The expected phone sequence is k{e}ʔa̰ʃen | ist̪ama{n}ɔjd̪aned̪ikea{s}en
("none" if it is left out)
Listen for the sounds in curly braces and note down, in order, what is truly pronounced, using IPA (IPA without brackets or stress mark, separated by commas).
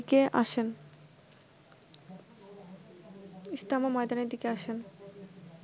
e, m, ʃ